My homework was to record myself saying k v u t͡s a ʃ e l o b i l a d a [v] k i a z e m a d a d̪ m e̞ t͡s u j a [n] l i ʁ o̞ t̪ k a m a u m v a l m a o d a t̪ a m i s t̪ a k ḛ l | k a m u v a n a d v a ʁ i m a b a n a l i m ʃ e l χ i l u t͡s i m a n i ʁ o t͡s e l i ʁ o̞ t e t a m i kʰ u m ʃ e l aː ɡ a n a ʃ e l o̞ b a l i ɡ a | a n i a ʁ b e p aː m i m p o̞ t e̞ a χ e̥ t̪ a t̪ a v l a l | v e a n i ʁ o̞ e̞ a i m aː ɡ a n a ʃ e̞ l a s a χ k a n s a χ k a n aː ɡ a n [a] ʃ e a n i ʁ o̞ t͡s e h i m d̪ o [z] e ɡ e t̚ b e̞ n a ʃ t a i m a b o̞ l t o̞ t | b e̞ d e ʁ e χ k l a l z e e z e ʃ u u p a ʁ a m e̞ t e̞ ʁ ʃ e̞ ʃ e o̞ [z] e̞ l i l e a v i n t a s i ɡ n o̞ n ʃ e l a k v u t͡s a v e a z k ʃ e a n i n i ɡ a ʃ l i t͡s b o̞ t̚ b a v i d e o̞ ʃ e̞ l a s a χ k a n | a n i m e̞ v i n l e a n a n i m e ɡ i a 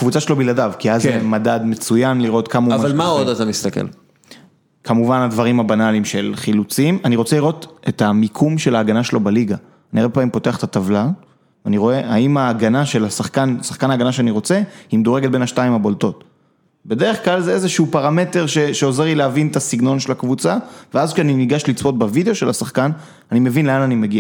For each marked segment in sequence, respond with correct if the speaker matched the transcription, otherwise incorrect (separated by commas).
correct, correct, correct, incorrect, correct